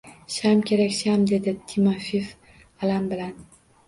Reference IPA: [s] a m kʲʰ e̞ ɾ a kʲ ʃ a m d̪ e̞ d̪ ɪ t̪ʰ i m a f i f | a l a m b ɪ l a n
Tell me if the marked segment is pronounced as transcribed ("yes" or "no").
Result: no